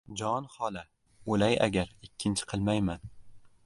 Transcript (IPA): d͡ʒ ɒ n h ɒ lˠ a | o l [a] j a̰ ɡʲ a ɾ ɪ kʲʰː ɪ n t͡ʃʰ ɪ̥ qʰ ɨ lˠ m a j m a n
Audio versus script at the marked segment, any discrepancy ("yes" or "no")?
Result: no